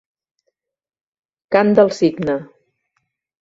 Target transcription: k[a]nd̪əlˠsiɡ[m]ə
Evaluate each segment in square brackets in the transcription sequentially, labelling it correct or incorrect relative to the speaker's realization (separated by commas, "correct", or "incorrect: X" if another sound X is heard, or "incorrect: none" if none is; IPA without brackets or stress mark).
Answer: correct, incorrect: n